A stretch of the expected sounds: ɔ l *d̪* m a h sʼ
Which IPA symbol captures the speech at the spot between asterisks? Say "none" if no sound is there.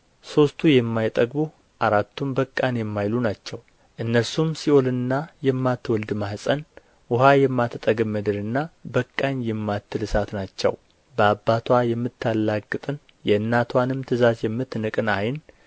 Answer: d̪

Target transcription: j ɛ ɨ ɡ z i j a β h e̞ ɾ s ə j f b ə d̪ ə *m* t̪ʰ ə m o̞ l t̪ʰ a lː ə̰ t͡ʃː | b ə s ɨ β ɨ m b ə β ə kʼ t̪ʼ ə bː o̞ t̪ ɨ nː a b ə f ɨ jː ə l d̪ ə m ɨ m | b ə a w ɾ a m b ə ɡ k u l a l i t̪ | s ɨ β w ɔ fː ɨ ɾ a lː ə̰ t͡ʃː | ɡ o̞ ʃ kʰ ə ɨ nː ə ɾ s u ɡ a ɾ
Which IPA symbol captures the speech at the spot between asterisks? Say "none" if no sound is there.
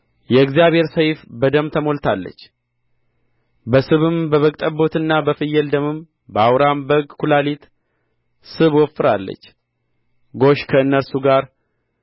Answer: m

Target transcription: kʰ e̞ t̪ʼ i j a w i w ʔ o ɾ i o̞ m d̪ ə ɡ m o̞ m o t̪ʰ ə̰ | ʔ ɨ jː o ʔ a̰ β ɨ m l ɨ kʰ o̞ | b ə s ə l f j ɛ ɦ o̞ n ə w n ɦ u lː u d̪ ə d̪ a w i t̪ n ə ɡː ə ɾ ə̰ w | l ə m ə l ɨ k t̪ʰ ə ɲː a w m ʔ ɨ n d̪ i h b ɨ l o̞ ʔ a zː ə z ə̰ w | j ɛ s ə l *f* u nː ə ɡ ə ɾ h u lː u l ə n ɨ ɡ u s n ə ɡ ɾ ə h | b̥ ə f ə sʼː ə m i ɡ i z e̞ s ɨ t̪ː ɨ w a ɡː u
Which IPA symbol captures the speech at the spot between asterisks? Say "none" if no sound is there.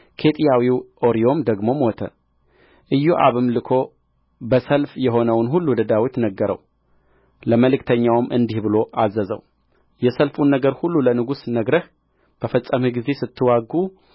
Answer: f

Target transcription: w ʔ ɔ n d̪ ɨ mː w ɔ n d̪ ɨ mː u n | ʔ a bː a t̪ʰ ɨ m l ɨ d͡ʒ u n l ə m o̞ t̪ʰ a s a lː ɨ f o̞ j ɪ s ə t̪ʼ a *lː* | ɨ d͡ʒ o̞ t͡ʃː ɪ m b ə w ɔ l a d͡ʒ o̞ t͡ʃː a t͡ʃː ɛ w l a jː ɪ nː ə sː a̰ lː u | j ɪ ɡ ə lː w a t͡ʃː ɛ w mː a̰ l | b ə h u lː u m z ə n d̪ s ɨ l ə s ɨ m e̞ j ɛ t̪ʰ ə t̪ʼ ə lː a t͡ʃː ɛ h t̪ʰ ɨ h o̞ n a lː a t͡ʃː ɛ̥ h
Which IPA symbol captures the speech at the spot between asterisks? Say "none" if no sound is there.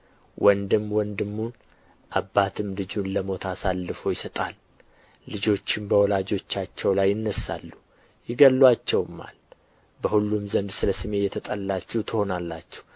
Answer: lː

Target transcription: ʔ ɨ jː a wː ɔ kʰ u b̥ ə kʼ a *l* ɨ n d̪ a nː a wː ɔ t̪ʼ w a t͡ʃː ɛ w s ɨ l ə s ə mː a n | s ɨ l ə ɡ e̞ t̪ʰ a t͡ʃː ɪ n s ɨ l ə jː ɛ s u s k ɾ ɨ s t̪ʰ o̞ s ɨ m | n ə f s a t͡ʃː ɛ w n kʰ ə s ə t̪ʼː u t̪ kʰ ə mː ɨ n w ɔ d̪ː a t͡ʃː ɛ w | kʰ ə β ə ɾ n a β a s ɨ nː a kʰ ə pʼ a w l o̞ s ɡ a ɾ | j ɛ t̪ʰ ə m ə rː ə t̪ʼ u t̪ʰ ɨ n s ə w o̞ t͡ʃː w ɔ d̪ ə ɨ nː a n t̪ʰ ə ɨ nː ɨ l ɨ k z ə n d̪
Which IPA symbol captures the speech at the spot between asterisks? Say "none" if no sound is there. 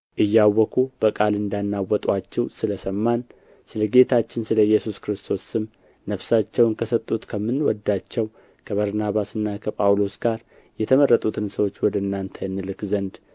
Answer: l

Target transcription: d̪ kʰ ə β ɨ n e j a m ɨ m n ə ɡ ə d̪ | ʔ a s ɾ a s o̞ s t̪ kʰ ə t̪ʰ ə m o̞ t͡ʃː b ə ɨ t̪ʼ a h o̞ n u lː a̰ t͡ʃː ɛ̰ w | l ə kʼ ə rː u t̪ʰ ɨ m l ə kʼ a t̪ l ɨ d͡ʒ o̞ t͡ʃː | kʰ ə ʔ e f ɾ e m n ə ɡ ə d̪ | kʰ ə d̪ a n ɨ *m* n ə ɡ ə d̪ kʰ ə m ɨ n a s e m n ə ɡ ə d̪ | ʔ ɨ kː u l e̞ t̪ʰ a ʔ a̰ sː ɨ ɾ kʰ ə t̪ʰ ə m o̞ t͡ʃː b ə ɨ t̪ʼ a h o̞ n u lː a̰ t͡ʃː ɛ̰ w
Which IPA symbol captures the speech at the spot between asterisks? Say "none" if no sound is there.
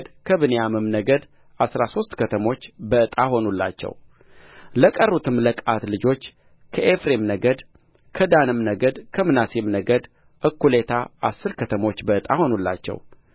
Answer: m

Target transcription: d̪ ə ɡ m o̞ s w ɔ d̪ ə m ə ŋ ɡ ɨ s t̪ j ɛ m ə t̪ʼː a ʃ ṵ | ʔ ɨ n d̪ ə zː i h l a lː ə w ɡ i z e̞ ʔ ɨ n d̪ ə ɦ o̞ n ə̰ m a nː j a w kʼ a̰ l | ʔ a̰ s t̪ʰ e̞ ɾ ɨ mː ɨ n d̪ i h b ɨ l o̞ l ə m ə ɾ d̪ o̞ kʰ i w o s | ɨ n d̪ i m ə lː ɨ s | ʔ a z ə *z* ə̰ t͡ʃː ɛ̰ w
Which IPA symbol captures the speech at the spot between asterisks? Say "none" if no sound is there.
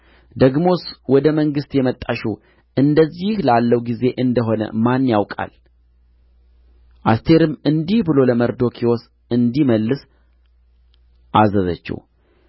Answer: z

